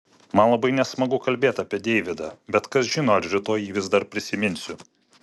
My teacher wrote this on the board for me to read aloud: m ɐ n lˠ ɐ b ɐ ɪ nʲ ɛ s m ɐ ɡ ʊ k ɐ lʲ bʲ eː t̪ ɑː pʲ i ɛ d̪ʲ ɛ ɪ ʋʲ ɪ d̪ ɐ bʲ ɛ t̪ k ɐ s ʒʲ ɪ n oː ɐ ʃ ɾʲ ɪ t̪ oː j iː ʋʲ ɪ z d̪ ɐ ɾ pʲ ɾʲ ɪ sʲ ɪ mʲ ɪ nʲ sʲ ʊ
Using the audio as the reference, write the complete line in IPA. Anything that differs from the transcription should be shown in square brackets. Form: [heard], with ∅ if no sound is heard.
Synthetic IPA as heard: m ɐ n lˠ ɐ b ɐ ɪ nʲ ɛ s m ɐ ɡ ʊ k ɐ lʲ bʲ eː t̪ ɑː pʲ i ɛ d̪ʲ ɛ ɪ ʋʲ ɪ d̪ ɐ bʲ ɛ t̪ k ɐ s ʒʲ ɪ n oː ɐ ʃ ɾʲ ɪ t̪ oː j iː ʋʲ ɪ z d̪ ɐ ɾ pʲ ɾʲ ɪ sʲ ɪ mʲ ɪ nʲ sʲ ʊ